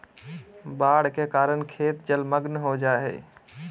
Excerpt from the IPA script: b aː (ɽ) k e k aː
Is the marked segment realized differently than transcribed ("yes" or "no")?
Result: no